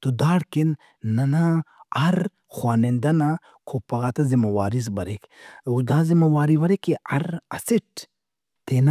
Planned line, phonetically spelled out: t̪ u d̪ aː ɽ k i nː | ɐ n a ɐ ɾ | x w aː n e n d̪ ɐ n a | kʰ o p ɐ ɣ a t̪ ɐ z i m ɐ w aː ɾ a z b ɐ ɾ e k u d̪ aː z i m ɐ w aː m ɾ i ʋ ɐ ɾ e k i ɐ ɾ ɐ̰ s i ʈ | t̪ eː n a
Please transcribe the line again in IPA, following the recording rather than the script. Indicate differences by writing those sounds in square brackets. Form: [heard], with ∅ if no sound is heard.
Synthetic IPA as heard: t̪ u d̪ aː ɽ k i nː | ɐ n a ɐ ɾ | x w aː n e n d̪ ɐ n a | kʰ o p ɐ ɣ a t̪ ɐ z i m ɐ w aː ɾ [i] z b ɐ ɾ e k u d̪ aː z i m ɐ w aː [∅] ɾ i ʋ ɐ ɾ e k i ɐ ɾ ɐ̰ s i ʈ | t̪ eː n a